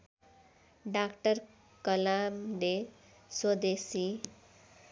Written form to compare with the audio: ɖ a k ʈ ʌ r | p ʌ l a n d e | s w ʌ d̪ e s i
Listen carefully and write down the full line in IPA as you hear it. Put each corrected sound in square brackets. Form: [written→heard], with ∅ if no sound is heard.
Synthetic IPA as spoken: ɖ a k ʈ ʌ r | [p→k] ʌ l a [n→m] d e | s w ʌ d̪ e s i